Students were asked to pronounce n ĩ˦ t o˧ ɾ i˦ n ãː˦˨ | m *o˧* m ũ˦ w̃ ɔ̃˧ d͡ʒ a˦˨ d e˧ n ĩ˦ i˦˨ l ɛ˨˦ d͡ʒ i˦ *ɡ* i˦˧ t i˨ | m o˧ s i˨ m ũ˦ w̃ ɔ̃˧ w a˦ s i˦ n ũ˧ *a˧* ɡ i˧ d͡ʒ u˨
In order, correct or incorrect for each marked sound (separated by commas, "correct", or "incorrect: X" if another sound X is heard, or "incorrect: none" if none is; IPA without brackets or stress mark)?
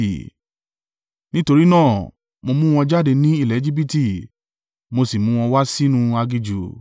correct, incorrect: b, correct